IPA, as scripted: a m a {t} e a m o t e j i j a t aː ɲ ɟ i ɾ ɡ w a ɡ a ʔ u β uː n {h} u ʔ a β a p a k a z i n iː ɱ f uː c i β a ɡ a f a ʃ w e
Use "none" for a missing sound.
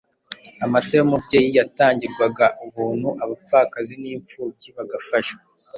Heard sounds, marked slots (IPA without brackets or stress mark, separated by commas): t, h